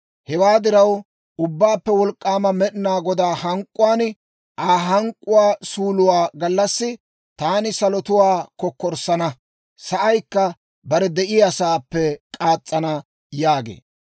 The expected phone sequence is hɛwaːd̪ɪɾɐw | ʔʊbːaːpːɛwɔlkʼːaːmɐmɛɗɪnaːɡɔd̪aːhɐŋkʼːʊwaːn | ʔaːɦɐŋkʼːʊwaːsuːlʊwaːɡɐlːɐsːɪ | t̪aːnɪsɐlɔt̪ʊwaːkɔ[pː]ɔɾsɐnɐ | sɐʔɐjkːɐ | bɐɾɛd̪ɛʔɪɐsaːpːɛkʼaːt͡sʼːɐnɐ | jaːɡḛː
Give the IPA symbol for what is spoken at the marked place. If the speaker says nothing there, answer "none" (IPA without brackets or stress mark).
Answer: kː